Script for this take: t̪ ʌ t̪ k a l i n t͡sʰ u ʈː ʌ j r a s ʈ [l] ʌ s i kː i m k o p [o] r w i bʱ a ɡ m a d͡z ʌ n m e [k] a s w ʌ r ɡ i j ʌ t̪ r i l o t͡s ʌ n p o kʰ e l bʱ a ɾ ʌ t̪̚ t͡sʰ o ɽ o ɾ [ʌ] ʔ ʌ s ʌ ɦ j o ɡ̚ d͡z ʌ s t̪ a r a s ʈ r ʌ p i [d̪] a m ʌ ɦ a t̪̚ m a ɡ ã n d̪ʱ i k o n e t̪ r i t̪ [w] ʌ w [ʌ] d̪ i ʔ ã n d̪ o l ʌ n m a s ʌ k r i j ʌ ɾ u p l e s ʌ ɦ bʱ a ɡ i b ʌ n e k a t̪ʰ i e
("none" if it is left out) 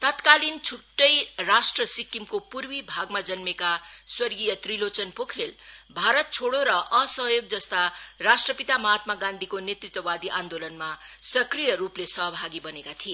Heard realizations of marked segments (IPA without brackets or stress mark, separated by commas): r, u, k, ʌ, t̪, w, a